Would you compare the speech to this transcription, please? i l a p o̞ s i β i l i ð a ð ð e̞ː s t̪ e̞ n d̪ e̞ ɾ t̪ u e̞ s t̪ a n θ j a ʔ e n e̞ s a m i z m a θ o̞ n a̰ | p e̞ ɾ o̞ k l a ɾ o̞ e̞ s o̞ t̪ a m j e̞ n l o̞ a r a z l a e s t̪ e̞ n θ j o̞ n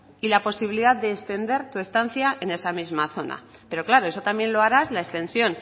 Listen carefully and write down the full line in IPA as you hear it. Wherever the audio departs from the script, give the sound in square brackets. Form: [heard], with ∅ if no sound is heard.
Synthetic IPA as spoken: i l a p o̞ s i β i l i ð a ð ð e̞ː s t̪ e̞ n d̪ e̞ ɾ t̪ u e̞ s t̪ a n θ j a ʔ e n e̞ s a m i z m a θ o̞ n a̰ | p e̞ ɾ o̞ k l a ɾ o̞ e̞ s o̞ t̪ a m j e̞ n l o̞ a [ɾ] a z l a e s t̪ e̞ n [s] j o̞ n